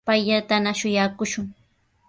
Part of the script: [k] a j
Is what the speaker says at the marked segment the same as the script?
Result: no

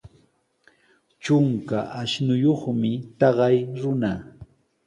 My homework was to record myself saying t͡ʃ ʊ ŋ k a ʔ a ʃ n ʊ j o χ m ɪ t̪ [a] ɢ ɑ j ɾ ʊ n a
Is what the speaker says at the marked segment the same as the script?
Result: no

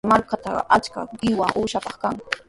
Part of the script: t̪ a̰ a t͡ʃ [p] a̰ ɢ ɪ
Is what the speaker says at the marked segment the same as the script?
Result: no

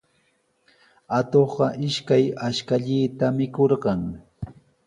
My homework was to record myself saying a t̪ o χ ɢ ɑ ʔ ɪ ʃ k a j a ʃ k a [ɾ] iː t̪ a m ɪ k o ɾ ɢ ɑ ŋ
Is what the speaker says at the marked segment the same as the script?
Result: no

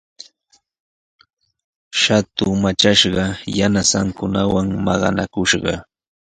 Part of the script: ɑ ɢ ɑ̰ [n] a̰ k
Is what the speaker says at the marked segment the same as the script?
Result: yes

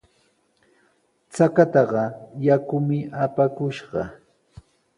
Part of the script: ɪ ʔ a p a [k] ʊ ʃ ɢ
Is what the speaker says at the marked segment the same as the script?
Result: yes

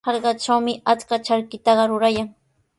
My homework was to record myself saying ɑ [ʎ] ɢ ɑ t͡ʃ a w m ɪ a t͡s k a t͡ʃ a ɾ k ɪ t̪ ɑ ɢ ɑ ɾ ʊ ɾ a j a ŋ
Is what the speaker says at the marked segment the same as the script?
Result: no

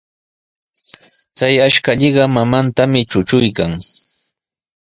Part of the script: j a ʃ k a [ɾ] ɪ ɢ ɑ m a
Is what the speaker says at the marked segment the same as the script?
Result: no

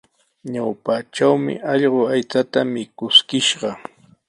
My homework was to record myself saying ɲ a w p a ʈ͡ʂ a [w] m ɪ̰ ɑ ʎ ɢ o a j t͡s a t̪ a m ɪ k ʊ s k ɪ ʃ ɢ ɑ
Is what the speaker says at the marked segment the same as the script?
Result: yes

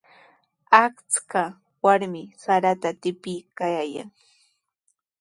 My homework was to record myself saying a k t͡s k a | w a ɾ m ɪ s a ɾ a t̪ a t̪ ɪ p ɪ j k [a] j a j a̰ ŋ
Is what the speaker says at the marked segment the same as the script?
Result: yes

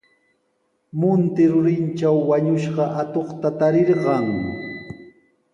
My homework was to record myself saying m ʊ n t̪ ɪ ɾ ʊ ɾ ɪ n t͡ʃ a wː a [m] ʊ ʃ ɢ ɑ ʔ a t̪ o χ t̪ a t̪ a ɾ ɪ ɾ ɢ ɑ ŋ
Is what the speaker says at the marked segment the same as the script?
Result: no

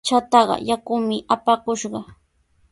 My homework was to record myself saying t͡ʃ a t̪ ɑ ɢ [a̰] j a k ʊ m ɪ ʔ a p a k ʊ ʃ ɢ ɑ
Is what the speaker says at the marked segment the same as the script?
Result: no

